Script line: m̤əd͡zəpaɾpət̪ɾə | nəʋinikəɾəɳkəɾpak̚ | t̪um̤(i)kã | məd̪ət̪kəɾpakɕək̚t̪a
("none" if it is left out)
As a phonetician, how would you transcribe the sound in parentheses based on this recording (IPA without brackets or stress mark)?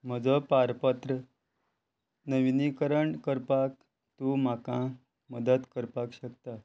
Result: a